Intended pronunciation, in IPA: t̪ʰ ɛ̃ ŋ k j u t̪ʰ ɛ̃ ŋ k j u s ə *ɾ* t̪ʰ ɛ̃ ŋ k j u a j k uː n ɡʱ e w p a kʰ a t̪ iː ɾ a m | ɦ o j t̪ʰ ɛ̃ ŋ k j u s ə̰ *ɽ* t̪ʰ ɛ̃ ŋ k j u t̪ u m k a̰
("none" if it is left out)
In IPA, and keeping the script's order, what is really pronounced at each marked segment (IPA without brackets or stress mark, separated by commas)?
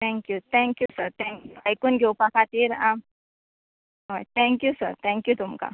ɾ, ɾ